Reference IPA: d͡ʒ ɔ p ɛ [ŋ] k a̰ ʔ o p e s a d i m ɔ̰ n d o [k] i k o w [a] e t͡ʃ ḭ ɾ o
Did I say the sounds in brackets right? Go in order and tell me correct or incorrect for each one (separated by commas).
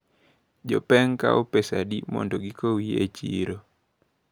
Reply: correct, incorrect, incorrect